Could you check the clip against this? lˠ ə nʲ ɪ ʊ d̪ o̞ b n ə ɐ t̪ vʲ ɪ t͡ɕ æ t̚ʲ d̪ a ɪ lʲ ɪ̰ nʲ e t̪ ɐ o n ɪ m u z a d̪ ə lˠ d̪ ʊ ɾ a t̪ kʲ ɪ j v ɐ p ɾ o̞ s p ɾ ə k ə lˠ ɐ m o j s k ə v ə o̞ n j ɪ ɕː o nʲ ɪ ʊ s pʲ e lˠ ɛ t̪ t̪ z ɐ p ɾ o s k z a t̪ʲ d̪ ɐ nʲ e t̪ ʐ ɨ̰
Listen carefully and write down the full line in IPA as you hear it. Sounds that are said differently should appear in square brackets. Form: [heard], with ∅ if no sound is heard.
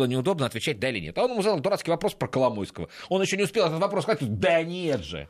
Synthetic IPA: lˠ ə nʲ ɪ ʊ d̪ o̞ b n ə ɐ t̪ vʲ ɪ t͡ɕ æ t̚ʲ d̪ a ɪ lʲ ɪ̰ nʲ e t̪ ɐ o n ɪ m u z a d̪ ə lˠ d̪ ʊ ɾ a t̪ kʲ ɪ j v ɐ p ɾ o̞ s p ɾ ə k ə lˠ ɐ m o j s k ə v ə o̞ n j ɪ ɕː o nʲ ɪ ʊ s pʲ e lˠ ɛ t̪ t̪ [v] ɐ p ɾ o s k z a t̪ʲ d̪ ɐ nʲ e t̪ ʐ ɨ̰